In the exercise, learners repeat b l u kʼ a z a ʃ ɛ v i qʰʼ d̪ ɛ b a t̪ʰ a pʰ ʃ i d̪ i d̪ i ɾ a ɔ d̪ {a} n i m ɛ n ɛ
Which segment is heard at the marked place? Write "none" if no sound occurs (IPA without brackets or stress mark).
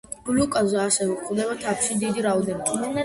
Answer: ɛ